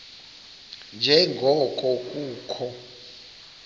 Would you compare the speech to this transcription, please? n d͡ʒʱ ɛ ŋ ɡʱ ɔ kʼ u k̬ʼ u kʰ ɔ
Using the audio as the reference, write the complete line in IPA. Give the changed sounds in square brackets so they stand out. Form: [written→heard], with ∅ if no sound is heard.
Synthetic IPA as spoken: n d͡ʒʱ ɛ ŋ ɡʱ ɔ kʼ [u→ɔ] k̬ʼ [u→uː] kʰ ɔ

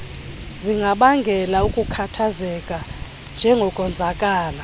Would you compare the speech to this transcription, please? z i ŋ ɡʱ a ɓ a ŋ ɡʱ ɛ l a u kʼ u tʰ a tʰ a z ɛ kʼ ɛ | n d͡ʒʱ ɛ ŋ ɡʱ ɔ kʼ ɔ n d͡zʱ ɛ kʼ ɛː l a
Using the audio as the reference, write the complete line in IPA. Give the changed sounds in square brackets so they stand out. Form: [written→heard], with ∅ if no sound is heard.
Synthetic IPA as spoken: z i ŋ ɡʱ a ɓ a ŋ ɡʱ ɛ l a u kʼ u [tʰ→kʰ] a tʰ a z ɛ kʼ [ɛ→a] | n d͡ʒʱ ɛ ŋ ɡʱ ɔ kʼ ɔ n d͡zʱ [ɛ→a] kʼ [ɛː→aː] l a

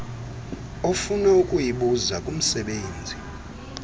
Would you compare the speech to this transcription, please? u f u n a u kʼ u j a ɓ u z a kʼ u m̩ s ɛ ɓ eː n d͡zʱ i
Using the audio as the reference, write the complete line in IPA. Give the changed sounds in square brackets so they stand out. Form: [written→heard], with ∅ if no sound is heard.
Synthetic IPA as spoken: [u→o] f u n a u kʼ u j [a→i] ɓ u z a kʼ u m̩ s ɛ ɓ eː n d͡zʱ i

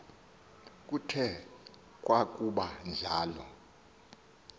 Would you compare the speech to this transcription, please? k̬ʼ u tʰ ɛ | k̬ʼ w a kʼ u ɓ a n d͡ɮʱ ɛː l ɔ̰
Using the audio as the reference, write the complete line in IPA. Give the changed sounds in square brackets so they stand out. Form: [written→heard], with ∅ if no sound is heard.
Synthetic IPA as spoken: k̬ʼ u tʰ ɛ | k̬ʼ w a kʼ u ɓ a n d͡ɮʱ [ɛː→aː] l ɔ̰

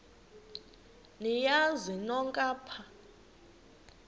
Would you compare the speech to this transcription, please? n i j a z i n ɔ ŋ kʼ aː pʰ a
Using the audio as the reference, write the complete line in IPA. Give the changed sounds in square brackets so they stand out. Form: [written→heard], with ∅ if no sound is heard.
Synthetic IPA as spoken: n i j a z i n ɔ ŋ kʼ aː pʰ a

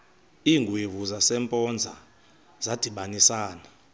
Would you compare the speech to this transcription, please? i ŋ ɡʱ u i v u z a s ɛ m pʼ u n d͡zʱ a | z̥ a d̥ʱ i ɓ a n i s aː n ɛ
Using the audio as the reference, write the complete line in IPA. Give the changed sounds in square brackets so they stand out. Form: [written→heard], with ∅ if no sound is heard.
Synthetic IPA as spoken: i ŋ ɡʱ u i v u z a s ɛ m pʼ [u→ɔ] n d͡zʱ a | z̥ a d̥ʱ i ɓ a n i s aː n [ɛ→a]

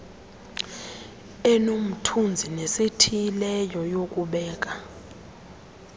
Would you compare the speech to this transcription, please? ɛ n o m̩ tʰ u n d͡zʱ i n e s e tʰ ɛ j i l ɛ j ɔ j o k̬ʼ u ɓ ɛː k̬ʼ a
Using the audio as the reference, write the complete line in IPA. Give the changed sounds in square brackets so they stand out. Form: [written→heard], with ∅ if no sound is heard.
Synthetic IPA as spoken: ɛ n o m̩ tʰ u n d͡zʱ i n e s e tʰ [ɛ→i] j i l ɛ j ɔ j o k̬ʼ u ɓ ɛː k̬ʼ a

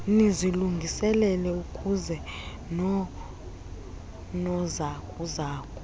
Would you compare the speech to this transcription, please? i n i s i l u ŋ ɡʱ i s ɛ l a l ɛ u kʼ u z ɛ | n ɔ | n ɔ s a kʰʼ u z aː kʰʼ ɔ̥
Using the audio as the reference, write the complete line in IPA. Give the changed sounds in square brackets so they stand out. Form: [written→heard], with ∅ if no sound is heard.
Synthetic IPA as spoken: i n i [s→z] i l u ŋ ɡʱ i s ɛ l [a→ɛ] l ɛ u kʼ u z ɛ | n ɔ | n ɔ [s→z] a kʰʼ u z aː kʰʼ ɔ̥

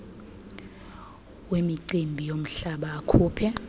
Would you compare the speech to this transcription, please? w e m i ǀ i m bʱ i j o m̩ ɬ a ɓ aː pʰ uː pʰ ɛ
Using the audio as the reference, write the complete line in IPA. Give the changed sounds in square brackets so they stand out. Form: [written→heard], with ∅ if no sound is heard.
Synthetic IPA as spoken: w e m i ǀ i m bʱ i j o m̩ ɬ a ɓ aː [pʰ→kʰ] uː pʰ ɛ

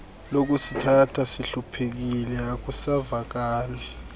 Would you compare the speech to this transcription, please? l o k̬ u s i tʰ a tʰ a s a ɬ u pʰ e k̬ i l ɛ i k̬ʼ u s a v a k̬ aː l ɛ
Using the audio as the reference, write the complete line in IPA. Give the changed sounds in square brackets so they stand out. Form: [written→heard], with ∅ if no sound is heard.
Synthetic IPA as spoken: l o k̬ u s i tʰ a tʰ a s [a→i] ɬ u pʰ e k̬ i l ɛ [i→a] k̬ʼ u s a v a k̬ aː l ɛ

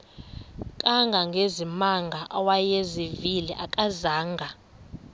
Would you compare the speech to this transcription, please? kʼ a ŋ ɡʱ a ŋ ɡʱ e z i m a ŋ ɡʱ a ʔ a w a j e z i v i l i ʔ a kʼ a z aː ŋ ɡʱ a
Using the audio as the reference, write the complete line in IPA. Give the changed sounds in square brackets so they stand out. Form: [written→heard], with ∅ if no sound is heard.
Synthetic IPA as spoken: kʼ a ŋ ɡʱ a ŋ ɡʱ e z i m a ŋ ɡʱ a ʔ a w a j e z i v i l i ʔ a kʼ a z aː ŋ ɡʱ a

